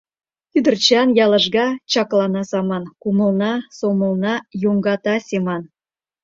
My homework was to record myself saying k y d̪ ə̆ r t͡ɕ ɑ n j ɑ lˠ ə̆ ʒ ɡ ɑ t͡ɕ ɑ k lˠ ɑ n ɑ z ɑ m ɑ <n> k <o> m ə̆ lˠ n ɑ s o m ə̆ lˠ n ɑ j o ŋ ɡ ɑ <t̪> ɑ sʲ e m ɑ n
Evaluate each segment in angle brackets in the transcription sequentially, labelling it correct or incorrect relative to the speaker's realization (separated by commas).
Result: correct, incorrect, correct